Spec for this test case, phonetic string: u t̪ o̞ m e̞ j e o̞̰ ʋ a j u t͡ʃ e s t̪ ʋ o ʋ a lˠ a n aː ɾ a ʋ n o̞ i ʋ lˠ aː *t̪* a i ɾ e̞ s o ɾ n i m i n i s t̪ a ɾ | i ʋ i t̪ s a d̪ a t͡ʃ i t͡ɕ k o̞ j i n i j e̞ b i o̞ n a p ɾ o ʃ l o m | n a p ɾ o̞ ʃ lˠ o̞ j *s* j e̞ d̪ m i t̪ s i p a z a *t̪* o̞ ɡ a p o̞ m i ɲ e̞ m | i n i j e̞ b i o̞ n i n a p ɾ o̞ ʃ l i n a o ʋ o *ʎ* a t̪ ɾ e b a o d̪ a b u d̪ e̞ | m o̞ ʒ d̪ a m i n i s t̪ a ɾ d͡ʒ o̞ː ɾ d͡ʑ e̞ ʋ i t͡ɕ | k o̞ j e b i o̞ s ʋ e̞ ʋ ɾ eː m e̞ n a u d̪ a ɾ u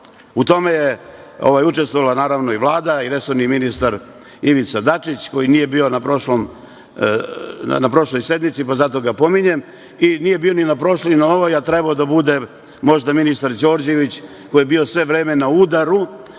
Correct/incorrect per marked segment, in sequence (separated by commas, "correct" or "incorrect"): incorrect, correct, correct, incorrect